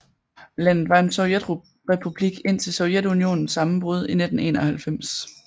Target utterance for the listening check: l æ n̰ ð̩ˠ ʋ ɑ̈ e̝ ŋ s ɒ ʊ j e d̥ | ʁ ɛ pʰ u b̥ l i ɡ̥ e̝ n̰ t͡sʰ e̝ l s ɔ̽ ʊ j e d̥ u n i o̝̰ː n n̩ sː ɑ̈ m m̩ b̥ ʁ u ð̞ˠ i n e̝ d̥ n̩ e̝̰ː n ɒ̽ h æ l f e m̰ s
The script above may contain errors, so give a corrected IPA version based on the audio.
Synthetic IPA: l æ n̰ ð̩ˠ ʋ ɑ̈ e̝ n s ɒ ʊ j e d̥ | ʁ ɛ pʰ u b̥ l i ɡ̥ e̝ n̰ t͡sʰ e̝ l s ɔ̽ ʊ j e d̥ u n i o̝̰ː n n̩ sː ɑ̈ m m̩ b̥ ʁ u ð̞ˠ i n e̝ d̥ n̩ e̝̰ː n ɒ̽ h æ l f e m̰ s